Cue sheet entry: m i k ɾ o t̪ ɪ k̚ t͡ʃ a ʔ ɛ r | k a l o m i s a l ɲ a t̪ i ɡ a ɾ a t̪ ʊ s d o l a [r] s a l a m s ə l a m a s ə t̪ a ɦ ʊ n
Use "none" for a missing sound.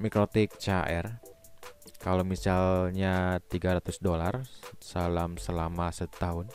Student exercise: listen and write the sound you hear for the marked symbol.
r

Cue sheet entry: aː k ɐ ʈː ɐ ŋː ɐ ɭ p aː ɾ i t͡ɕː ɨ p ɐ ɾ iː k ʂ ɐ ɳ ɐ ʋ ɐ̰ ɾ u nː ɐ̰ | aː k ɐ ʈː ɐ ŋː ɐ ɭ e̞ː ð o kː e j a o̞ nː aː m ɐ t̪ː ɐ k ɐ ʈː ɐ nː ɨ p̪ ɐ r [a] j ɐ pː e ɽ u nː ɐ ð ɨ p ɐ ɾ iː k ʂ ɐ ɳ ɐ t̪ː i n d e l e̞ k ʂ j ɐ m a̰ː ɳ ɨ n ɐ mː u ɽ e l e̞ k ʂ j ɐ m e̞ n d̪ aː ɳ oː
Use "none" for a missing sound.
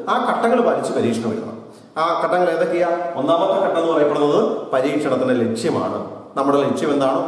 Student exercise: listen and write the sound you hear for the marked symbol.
ɐ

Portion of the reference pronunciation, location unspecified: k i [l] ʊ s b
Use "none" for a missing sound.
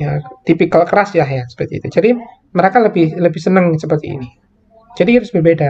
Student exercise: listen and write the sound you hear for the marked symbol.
ɾ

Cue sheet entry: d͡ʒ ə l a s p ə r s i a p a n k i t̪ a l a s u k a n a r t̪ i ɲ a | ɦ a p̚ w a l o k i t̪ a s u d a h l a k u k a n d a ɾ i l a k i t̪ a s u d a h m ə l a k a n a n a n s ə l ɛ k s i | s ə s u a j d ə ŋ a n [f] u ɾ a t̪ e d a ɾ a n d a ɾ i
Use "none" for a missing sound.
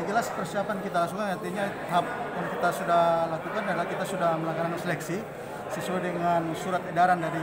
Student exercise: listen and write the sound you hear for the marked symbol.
s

